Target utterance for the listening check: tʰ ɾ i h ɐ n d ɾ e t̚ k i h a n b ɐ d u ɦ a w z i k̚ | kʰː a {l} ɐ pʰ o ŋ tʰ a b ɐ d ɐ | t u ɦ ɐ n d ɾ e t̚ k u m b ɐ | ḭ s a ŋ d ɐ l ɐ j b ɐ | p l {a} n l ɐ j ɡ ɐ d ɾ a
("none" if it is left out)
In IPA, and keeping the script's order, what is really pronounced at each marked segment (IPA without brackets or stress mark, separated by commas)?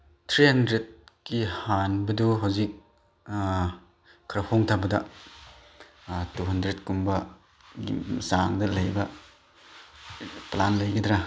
ɾ, a